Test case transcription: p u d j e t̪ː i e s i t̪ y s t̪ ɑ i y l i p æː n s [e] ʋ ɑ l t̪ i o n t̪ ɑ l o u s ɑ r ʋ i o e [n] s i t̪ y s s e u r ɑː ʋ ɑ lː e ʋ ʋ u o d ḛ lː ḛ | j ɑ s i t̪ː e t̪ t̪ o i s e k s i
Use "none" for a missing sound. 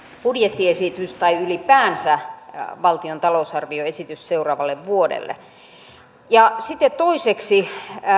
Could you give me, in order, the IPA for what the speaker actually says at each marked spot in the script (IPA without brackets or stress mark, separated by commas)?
æ, none